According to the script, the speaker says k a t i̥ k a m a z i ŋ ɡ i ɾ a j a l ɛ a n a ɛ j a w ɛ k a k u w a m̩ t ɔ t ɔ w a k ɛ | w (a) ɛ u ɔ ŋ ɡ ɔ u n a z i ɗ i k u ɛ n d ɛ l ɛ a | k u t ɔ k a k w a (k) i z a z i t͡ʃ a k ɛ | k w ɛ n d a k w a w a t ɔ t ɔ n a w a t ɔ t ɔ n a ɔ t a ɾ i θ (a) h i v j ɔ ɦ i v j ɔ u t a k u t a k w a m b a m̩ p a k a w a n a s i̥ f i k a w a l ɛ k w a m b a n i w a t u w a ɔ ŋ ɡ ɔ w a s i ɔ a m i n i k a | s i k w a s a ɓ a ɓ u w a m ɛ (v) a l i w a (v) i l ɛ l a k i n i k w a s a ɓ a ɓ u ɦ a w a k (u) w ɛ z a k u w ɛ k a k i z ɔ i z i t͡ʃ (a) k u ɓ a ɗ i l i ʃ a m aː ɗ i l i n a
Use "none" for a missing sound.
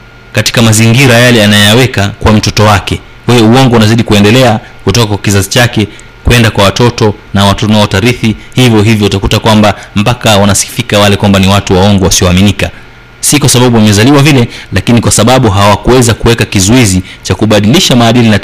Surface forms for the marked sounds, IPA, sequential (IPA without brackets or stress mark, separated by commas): ɛ, k, i, z, v, u, a